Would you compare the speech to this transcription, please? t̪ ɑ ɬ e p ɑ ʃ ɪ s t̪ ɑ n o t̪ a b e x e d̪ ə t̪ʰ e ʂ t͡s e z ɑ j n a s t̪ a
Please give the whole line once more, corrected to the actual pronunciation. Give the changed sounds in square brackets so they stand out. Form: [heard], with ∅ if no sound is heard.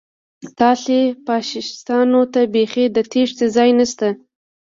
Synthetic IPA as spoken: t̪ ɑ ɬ e p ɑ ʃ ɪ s t̪ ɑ n o t̪ a b e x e d̪ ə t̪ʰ e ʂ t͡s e z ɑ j n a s t̪ a